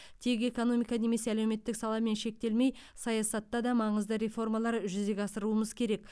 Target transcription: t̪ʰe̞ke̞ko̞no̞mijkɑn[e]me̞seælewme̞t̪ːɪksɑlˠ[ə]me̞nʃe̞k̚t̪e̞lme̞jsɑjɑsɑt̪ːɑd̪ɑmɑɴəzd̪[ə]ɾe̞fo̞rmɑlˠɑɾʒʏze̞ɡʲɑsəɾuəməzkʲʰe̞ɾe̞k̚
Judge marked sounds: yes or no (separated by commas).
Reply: yes, no, yes